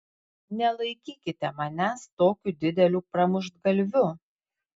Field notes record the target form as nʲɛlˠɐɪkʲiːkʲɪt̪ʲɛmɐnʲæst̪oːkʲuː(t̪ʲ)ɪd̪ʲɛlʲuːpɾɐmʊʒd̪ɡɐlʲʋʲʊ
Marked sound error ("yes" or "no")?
yes